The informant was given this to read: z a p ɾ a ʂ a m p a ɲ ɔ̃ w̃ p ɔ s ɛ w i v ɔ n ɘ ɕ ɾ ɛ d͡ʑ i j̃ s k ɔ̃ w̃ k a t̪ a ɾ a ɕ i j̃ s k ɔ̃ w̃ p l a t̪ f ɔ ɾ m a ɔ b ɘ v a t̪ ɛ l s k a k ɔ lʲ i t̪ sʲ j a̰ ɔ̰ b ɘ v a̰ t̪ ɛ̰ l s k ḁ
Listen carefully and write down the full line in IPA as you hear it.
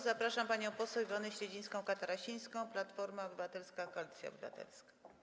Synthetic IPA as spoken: z a p ɾ a ʂ a m p a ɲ ɔ̃ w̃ p ɔ s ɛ w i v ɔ n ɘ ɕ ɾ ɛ d͡ʑ i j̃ s k ɔ̃ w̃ k a t̪ a ɾ a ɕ i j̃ s k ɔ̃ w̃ p l a t̪ f ɔ ɾ m a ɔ b ɘ v a t̪ ɛ l s k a k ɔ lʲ i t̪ sʲ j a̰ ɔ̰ b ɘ v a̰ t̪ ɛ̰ l s k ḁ